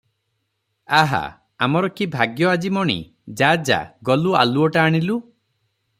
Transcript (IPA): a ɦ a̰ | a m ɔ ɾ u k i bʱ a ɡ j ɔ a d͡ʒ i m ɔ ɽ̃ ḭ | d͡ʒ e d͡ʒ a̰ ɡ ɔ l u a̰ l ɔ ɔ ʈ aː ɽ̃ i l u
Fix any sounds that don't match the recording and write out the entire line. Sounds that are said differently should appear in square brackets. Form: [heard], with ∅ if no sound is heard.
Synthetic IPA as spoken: a ɦ a̰ | a m ɔ ɾ [ɔ] k i bʱ a ɡ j ɔ a d͡ʒ i m ɔ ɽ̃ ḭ | d͡ʒ [a] d͡ʒ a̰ ɡ ɔ l u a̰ l [u] ɔ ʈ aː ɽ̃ i l u